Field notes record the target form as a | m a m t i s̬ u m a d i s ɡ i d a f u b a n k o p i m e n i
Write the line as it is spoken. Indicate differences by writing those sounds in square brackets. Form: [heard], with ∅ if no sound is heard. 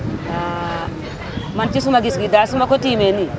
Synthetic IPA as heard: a | m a [n] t i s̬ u m a [ɡ] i s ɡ i d a [s] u [m] a [∅] k o [t] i m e n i